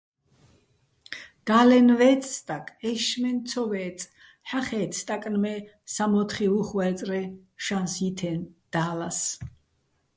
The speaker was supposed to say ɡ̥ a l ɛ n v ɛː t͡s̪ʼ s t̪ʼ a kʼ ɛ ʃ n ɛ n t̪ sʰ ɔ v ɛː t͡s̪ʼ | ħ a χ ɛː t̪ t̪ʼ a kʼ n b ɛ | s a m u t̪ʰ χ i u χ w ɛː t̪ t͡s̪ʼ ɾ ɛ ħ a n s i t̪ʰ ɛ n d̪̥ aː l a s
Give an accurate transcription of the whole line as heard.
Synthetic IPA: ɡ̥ a l ɛ n v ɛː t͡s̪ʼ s t̪ʼ a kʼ ɛ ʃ m ɛ n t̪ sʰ ɔ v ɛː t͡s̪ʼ | ħ a χ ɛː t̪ t̪ʼ a kʼ n m ɛ | s a m ɔ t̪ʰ χ i u χ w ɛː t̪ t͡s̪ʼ ɾ ɛ ʃ a n s i t̪ʰ ɛ n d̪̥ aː l a s